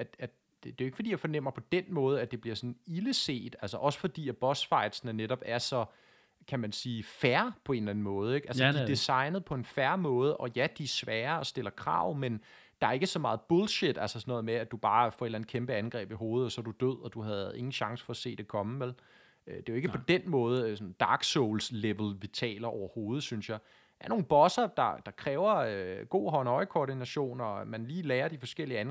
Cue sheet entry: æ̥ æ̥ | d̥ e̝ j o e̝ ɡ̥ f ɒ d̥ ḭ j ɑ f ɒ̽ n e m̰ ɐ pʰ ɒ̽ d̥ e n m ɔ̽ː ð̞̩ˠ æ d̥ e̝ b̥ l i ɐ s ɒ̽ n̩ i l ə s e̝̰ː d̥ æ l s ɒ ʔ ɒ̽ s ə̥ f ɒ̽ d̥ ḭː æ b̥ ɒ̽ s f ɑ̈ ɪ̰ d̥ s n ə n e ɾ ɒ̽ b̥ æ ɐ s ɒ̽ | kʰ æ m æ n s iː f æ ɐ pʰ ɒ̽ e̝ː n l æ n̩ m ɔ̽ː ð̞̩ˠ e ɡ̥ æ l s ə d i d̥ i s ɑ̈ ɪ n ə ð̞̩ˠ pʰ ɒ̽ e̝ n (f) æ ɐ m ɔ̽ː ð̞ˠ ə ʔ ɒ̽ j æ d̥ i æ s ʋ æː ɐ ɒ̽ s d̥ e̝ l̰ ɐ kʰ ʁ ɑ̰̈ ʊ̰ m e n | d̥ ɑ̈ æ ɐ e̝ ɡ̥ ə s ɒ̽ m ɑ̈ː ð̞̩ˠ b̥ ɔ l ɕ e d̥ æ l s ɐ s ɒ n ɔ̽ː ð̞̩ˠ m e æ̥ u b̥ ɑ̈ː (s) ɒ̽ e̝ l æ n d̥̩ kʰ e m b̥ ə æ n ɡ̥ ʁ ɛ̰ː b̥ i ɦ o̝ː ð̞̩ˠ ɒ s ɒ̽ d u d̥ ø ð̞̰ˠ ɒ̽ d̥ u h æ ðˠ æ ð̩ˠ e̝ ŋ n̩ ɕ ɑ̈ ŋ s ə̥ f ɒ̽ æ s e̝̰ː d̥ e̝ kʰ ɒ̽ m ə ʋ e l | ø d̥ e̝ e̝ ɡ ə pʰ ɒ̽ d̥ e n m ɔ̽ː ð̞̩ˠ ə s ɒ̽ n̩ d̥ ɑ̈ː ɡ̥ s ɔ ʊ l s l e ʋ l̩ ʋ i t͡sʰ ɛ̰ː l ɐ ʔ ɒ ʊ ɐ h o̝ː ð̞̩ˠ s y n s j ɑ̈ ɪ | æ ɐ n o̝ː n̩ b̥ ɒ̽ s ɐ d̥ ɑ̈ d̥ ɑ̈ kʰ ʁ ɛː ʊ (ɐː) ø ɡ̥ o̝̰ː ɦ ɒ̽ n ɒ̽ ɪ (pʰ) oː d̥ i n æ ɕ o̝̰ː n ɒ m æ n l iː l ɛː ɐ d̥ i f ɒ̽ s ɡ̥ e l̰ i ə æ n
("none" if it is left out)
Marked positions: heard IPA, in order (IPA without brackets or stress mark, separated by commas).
f, f, ɐ, kʰ